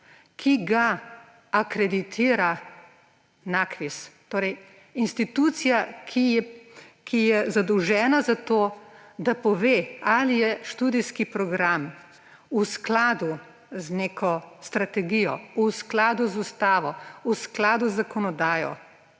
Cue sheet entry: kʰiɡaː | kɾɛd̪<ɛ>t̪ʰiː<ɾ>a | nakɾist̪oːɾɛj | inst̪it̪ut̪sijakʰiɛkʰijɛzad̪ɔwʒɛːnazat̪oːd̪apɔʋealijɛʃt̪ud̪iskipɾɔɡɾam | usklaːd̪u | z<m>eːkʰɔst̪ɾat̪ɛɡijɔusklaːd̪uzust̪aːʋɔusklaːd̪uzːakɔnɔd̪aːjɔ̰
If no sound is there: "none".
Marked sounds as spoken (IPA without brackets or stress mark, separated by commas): i, ɾ, n